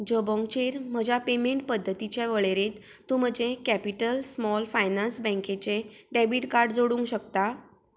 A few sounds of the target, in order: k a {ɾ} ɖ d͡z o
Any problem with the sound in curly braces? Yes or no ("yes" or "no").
no